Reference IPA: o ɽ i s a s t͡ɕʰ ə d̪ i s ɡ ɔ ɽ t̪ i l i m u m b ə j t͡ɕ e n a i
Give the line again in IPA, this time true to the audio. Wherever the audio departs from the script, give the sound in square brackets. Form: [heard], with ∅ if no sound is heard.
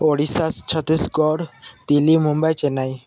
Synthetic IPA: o ɽ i s a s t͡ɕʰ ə [t̪] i s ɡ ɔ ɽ t̪ i l i m u m b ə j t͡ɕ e n a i